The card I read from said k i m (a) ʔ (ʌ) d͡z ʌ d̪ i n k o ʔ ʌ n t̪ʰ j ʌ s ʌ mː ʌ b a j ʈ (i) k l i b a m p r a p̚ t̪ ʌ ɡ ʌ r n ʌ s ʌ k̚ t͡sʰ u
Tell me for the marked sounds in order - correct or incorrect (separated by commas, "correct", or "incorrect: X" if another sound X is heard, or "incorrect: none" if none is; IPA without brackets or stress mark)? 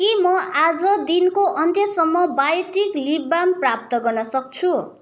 incorrect: ʌ, incorrect: a, correct